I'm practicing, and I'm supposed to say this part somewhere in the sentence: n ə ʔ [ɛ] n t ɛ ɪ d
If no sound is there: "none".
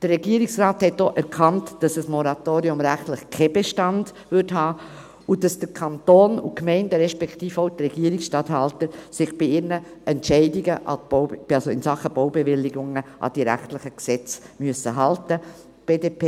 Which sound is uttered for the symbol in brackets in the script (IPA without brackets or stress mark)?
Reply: ɛ